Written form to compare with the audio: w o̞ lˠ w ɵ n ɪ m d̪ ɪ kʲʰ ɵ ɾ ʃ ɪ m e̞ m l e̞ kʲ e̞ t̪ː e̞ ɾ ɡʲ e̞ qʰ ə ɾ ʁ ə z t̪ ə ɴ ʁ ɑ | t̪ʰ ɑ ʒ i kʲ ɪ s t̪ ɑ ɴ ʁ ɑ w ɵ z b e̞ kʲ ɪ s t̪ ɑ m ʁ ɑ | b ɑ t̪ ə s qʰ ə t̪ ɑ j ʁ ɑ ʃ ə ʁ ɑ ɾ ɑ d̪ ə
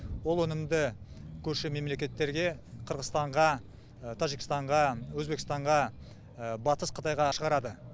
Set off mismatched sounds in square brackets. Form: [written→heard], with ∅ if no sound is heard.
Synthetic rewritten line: w o̞ lˠ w ɵ n ɪ m d̪ ɪ kʲʰ ɵ ɾ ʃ ɪ m e̞ m l e̞ kʲ e̞ t̪ː e̞ ɾ ɡʲ e̞ qʰ ə ɾ ʁ ə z t̪ [ə→ɑ] ɴ ʁ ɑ | t̪ʰ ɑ ʒ i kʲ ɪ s t̪ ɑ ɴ ʁ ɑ w ɵ z b e̞ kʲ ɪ s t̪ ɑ [m→ɴ] ʁ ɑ | b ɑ t̪ ə s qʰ ə t̪ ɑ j ʁ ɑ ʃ ə ʁ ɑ ɾ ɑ d̪ ə